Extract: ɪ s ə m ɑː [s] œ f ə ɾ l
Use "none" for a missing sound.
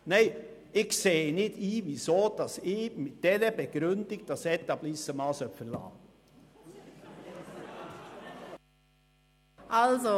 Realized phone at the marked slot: s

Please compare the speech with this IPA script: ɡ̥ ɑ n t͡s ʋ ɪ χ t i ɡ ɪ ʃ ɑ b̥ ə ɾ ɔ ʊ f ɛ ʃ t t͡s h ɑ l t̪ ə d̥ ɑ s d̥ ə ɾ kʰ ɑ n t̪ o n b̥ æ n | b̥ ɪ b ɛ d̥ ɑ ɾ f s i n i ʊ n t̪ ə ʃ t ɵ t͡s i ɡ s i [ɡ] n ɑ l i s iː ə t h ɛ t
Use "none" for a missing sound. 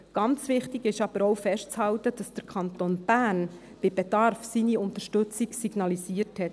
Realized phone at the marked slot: ɡ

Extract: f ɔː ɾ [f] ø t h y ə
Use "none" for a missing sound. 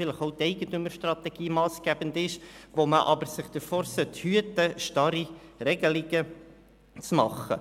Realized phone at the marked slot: s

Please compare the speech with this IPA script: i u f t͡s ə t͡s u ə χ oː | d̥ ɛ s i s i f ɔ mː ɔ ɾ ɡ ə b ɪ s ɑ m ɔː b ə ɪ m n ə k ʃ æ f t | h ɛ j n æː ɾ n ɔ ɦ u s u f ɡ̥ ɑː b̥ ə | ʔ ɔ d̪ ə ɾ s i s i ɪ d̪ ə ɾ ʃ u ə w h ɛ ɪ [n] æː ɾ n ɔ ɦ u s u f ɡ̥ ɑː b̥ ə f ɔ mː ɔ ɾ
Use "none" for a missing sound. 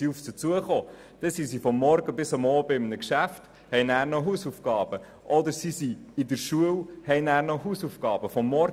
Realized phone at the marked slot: n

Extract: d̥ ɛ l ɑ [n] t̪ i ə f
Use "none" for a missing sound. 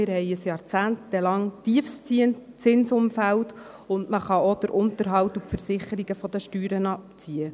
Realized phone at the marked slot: ŋ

